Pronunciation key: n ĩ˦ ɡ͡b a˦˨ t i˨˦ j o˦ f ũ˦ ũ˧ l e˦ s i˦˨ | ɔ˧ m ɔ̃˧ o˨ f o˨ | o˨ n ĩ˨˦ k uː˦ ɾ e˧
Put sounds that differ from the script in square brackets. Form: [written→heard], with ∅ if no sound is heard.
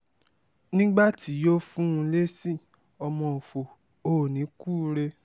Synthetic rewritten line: n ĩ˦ ɡ͡b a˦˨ t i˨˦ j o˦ f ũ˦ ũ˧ l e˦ s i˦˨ | ɔ˧ m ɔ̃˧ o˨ f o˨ | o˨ n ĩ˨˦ k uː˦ ɾ e˧